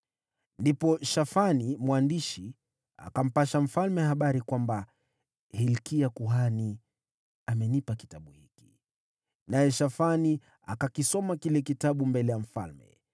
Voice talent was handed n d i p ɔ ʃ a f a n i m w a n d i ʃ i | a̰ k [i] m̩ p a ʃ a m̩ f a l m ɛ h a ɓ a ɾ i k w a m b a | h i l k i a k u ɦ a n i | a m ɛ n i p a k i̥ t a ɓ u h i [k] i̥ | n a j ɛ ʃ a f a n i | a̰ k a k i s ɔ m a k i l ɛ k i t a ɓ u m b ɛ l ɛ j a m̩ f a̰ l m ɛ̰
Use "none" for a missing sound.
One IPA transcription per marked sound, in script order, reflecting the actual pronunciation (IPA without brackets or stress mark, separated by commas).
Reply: a, k